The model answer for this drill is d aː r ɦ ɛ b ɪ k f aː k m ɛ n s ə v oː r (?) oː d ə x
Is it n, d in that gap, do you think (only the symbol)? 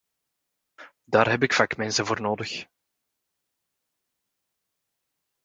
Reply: n